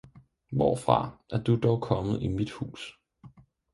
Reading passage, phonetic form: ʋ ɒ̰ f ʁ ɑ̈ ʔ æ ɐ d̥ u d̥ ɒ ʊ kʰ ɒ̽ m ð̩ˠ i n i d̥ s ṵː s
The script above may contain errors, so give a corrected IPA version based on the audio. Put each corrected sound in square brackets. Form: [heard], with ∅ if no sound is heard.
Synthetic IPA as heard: ʋ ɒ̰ f ʁ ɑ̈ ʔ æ ɐ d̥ u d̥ ɒ ʊ kʰ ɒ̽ m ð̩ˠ i [m] i d̥ [h] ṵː s